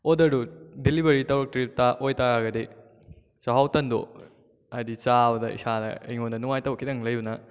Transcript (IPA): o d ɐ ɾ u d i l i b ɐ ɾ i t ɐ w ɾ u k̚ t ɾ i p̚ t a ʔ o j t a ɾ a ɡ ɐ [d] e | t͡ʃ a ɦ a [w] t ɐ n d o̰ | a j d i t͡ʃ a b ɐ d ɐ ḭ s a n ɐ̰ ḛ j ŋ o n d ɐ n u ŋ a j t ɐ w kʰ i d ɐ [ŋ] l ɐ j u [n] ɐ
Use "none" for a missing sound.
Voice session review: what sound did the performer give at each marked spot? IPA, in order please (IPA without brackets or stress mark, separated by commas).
d, w, ŋ, n